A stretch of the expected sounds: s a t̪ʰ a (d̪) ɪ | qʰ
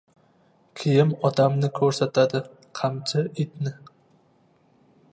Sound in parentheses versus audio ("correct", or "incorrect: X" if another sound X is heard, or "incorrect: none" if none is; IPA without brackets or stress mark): correct